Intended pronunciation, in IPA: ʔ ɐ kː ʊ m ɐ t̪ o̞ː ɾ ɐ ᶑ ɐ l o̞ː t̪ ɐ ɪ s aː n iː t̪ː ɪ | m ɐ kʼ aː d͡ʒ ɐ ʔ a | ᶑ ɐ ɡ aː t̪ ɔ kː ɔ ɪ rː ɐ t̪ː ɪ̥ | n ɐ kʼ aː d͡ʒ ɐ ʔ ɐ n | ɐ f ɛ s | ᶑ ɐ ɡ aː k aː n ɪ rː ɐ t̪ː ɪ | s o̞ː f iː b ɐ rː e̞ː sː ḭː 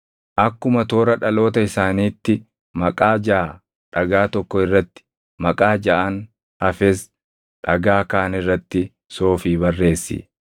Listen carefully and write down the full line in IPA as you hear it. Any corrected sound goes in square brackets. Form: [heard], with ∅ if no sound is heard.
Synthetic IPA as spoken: ʔ ɐ kː ʊ m ɐ t̪ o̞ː ɾ ɐ ᶑ ɐ l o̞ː t̪ ɐ ɪ s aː n iː t̪ː ɪ | m ɐ kʼ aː d͡ʒ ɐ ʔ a | ᶑ ɐ ɡ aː t̪ ɔ kː ɔ ɪ rː ɐ t̪ː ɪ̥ | [m] ɐ kʼ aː d͡ʒ ɐ ʔ ɐ n | ɐ f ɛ s | ᶑ ɐ ɡ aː k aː n ɪ rː ɐ t̪ː ɪ | s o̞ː f iː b ɐ rː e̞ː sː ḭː

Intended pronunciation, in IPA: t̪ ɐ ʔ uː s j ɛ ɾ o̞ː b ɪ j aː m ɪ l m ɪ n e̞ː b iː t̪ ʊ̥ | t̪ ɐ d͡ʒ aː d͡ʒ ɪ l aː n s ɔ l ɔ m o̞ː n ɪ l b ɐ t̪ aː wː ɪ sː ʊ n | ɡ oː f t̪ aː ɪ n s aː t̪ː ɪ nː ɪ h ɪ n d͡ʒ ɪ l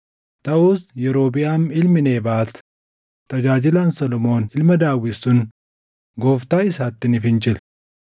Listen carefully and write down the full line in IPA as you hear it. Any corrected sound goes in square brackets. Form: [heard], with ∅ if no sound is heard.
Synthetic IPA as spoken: t̪ ɐ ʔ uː s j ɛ ɾ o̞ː b ɪ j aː m ɪ l m ɪ n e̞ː b [aː] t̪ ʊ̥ | t̪ ɐ d͡ʒ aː d͡ʒ ɪ l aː n s ɔ l ɔ m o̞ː n ɪ l [m] ɐ [d̪] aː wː ɪ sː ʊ n | ɡ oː f t̪ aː ɪ [∅] s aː t̪ː ɪ [n] ɪ [f] ɪ n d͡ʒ ɪ l

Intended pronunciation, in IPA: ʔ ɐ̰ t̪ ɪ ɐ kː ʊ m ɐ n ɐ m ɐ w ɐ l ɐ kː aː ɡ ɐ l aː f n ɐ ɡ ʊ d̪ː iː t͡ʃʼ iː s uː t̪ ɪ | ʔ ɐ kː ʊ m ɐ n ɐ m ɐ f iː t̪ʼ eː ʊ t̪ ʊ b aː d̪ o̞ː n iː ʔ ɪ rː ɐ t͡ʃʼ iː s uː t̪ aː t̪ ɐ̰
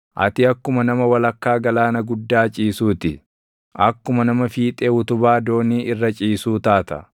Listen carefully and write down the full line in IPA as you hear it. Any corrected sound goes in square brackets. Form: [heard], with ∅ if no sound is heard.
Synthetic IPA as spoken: ʔ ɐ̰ t̪ ɪ ɐ kː ʊ m ɐ n ɐ m ɐ w ɐ l ɐ kː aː ɡ ɐ l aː [∅] n ɐ ɡ ʊ d̪ː [aː] t͡ʃʼ iː s uː t̪ ɪ | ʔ ɐ kː ʊ m ɐ n ɐ m ɐ f iː t̪ʼ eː ʊ t̪ ʊ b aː d̪ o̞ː n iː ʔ ɪ rː ɐ t͡ʃʼ iː s uː t̪ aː t̪ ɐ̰

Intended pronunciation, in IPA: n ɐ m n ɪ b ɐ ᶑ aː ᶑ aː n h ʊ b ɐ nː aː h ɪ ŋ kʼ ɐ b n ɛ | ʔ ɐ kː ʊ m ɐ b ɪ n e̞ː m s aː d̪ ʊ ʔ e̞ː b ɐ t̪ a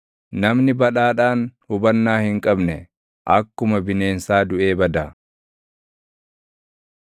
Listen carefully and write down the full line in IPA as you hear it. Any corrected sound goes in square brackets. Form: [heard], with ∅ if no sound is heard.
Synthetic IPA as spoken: n ɐ m n ɪ b ɐ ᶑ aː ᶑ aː n h ʊ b ɐ nː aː h ɪ ŋ kʼ ɐ b n ɛ | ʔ ɐ kː ʊ m ɐ b ɪ n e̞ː [n] s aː d̪ ʊ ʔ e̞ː b ɐ [d̪] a

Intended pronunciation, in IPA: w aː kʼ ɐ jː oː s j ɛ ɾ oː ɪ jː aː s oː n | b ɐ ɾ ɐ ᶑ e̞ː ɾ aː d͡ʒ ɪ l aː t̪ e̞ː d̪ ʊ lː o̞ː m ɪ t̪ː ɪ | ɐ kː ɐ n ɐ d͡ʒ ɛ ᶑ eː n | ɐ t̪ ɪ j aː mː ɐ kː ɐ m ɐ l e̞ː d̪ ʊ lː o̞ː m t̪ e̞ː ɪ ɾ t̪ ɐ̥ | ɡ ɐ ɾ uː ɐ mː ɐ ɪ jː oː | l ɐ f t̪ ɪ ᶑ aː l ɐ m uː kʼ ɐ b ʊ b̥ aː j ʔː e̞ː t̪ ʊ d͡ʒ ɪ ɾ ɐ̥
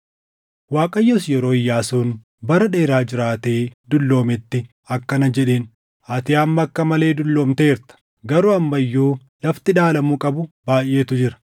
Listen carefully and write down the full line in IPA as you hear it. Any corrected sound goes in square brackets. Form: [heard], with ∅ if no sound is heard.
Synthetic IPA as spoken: w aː kʼ ɐ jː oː s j ɛ ɾ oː ɪ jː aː s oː n | b ɐ ɾ ɐ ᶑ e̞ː ɾ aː d͡ʒ ɪ [ɾ] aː t̪ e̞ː d̪ ʊ lː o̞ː m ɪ t̪ː ɪ | ɐ kː ɐ n ɐ d͡ʒ ɛ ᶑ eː n | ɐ t̪ ɪ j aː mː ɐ kː ɐ m ɐ l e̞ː d̪ ʊ lː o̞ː m t̪ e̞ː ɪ ɾ t̪ ɐ̥ | ɡ ɐ ɾ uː ɐ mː ɐ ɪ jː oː | l ɐ f t̪ ɪ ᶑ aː l ɐ m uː kʼ ɐ b ʊ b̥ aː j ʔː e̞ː t̪ ʊ d͡ʒ ɪ ɾ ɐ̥

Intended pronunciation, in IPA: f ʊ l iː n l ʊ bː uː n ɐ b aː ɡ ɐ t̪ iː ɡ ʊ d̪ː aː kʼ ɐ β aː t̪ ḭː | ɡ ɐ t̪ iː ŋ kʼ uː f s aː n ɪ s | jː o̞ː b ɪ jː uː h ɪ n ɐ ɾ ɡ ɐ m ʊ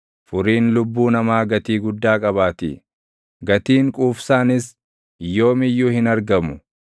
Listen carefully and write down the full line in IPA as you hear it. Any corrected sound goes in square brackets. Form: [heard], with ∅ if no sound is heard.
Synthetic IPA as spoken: f ʊ [ɾ] iː n l ʊ bː uː n ɐ [m] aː ɡ ɐ t̪ iː ɡ ʊ d̪ː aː kʼ ɐ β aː t̪ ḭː | ɡ ɐ t̪ iː ŋ kʼ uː f s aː n ɪ s | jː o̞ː [m] ɪ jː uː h ɪ n ɐ ɾ ɡ ɐ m ʊ

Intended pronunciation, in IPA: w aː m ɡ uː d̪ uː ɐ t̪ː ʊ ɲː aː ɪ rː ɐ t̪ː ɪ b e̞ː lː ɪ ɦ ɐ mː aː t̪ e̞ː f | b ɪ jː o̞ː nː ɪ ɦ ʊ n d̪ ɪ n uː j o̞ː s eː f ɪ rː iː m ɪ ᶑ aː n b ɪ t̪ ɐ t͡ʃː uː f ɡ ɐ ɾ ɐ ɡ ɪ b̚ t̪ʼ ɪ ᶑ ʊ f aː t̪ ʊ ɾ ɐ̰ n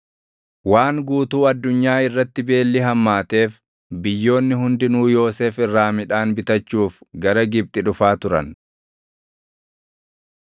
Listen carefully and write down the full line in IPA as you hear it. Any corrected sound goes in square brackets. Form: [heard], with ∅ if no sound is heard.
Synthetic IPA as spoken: w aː [ŋ] ɡ uː [t̪] uː ɐ [d̪ː] ʊ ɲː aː ɪ rː ɐ t̪ː ɪ b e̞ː lː ɪ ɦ ɐ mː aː t̪ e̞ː f | b ɪ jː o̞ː nː ɪ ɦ ʊ n d̪ ɪ n uː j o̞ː s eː f ɪ rː [aː] m ɪ ᶑ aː n b ɪ t̪ ɐ t͡ʃː uː f ɡ ɐ ɾ ɐ ɡ ɪ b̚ t̪ʼ ɪ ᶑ ʊ f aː t̪ ʊ ɾ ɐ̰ n

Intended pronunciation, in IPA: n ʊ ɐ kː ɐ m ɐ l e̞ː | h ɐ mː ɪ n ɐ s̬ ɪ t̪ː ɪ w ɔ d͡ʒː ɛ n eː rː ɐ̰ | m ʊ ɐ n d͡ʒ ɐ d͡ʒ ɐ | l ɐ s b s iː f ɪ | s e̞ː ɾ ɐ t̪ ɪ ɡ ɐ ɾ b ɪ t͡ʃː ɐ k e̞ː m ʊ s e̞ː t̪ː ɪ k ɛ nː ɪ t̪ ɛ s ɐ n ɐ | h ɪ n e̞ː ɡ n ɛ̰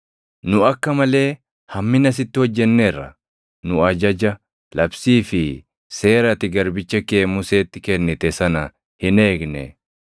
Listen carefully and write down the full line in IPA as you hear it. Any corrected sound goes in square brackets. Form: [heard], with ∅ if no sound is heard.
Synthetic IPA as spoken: n ʊ ɐ kː ɐ m ɐ l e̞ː | h ɐ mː ɪ n ɐ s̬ ɪ t̪ː ɪ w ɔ d͡ʒː ɛ [nː] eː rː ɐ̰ | [n] ʊ ɐ [∅] d͡ʒ ɐ d͡ʒ ɐ | l ɐ [∅] b s iː f ɪ | s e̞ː ɾ ɐ t̪ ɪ ɡ ɐ ɾ b ɪ t͡ʃː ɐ k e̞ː m ʊ s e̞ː t̪ː ɪ k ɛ nː ɪ t̪ ɛ s ɐ n ɐ | h ɪ n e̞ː ɡ n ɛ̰

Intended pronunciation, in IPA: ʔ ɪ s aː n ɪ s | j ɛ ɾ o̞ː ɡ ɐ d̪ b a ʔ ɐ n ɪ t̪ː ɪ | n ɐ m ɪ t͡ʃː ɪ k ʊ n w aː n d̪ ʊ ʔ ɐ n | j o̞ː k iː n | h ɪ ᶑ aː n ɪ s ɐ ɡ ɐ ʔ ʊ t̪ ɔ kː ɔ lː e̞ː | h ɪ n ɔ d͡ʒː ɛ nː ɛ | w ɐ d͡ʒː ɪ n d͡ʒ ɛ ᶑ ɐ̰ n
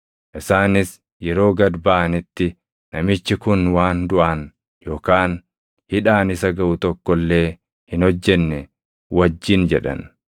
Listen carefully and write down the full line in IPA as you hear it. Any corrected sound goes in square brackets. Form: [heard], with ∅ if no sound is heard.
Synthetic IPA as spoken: ʔ ɪ s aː n ɪ s | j ɛ ɾ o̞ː ɡ ɐ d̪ b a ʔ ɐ n ɪ t̪ː ɪ | n ɐ m ɪ t͡ʃː ɪ k ʊ n w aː n d̪ ʊ ʔ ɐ n | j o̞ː k [aː] n | h ɪ ᶑ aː n ɪ s ɐ ɡ ɐ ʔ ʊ t̪ ɔ kː ɔ lː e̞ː | h ɪ n ɔ d͡ʒː ɛ nː ɛ | w ɐ d͡ʒː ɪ n d͡ʒ ɛ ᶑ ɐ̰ n

